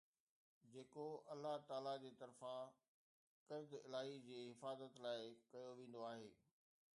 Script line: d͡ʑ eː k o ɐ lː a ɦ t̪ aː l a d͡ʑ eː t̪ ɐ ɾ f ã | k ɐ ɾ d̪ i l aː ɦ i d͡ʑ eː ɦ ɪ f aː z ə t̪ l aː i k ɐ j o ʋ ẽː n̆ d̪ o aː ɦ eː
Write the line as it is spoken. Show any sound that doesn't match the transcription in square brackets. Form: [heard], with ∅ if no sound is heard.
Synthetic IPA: d͡ʑ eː k o ɐ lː a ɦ t̪ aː l a d͡ʑ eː t̪ ɐ ɾ f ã | k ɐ ɾ d̪ [ɪ] l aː ɦ i d͡ʑ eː ɦ ɪ f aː z ə t̪ l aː [ɪ] k ɐ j o ʋ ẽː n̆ d̪ o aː ɦ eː